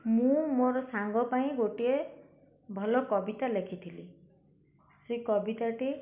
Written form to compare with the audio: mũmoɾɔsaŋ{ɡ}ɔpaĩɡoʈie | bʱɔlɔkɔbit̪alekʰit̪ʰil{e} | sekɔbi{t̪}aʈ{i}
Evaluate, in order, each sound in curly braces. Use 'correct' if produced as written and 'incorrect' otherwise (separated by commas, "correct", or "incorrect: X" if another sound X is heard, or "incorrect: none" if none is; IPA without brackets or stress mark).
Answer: correct, incorrect: i, correct, correct